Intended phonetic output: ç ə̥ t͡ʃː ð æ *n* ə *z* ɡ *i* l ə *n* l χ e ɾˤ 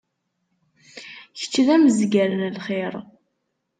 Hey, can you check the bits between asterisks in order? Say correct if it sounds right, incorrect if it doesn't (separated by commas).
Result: incorrect, correct, incorrect, correct